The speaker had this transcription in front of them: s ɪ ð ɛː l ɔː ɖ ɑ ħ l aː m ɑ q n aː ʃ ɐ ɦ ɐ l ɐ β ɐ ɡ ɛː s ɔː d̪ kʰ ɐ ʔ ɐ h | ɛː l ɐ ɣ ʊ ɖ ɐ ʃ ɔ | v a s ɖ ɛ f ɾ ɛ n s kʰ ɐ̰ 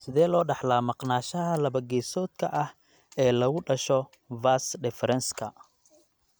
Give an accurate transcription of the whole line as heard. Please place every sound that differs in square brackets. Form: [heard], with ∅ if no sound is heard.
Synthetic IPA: s ɪ ð ɛː l ɔː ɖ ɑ ħ l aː m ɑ q n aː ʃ ɐ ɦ ɐ l ɐ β ɐ ɡ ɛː s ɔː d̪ kʰ ɐ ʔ ɐ h | ɛː l ɐ ɣ ʊ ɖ ɐ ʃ ɔ | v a s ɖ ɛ f ɾ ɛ n s kʰ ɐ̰